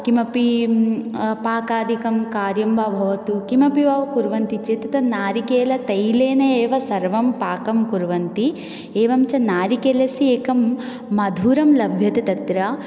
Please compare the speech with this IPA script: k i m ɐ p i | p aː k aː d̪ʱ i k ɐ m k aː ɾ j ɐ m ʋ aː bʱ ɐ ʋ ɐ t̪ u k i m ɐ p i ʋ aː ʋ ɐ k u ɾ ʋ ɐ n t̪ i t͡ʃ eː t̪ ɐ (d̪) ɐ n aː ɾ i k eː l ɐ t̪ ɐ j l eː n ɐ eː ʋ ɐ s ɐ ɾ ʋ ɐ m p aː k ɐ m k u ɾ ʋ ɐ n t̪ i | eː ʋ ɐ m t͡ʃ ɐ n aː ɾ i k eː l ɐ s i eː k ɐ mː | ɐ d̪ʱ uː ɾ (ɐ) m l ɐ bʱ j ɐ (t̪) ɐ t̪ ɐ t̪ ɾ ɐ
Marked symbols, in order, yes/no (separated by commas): no, yes, yes